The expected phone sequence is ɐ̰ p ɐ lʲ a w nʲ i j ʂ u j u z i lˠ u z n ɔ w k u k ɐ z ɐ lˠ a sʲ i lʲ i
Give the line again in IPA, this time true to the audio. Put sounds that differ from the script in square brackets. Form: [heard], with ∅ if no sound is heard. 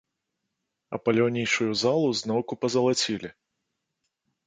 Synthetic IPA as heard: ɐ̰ p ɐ lʲ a w nʲ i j ʂ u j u z [a] lˠ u z n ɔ w k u [p] ɐ z ɐ lˠ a [t͡sʲ] i lʲ i